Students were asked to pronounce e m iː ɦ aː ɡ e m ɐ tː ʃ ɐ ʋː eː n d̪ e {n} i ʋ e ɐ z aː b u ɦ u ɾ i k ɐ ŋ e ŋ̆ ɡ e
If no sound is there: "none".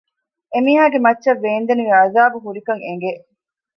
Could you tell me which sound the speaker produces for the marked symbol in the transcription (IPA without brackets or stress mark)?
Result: n